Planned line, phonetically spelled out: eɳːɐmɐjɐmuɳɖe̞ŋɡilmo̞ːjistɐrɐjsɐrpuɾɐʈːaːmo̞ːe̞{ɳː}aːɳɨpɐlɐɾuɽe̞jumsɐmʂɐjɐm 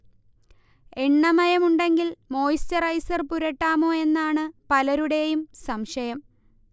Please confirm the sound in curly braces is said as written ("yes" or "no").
no